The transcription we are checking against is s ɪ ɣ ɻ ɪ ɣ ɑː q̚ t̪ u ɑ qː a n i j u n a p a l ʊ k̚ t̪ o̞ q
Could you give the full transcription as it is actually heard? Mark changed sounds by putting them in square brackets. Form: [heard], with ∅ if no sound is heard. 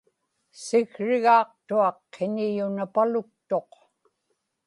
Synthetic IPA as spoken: s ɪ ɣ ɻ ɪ ɣ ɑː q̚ t̪ u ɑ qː [e] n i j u n a p a l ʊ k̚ t̪ o̞ q